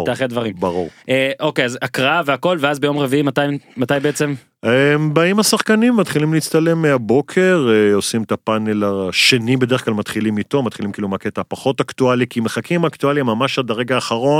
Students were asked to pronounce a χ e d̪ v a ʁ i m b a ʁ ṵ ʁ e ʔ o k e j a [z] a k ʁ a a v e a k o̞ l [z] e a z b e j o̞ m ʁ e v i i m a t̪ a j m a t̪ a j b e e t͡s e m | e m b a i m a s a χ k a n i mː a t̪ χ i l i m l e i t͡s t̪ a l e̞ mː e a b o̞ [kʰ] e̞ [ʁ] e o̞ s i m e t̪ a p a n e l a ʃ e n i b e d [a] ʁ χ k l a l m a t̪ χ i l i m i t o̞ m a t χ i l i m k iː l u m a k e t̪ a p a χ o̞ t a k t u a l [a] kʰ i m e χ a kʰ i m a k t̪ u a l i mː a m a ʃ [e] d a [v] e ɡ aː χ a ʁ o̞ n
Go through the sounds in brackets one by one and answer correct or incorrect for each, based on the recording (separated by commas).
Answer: correct, incorrect, correct, correct, incorrect, incorrect, incorrect, incorrect